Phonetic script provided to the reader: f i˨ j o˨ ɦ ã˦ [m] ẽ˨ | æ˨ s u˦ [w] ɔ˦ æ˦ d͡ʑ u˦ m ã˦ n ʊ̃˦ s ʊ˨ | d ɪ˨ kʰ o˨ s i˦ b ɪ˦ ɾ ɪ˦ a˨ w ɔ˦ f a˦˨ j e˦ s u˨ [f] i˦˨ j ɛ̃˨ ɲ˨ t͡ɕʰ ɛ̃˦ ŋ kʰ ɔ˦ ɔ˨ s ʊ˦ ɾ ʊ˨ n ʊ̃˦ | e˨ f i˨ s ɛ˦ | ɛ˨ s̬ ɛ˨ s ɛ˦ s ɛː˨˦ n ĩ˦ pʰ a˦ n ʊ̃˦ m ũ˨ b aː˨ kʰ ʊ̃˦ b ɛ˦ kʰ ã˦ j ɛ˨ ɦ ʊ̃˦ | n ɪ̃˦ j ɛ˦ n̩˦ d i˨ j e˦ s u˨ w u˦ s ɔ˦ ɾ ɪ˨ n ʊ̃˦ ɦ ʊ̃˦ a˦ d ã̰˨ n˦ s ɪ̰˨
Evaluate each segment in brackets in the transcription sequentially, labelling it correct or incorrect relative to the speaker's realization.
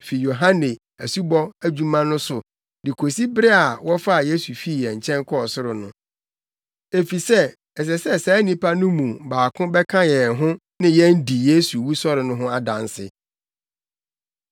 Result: incorrect: n, incorrect: b, correct

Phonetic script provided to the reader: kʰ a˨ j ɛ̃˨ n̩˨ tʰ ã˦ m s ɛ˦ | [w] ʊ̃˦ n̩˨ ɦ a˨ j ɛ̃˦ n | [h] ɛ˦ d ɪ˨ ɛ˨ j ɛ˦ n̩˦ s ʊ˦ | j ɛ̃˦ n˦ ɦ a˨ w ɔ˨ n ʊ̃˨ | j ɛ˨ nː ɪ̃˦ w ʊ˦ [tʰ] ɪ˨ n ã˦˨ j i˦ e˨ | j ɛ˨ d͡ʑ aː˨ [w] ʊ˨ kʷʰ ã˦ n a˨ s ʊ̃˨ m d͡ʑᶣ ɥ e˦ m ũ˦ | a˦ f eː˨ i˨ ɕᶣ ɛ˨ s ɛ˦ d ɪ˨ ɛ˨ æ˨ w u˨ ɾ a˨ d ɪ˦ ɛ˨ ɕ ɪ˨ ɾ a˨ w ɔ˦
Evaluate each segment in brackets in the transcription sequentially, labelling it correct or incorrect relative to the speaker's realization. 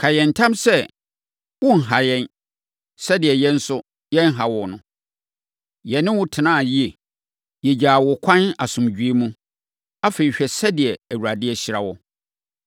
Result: correct, incorrect: s, correct, correct

